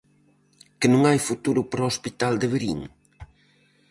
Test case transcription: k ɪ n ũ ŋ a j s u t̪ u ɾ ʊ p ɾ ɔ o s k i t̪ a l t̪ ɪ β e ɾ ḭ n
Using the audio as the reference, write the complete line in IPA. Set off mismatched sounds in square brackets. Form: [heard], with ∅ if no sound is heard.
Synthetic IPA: k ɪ n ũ ŋ a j [f] u t̪ u ɾ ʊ p ɾ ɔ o s [p] i t̪ a l [d̪] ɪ β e ɾ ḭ [ŋ]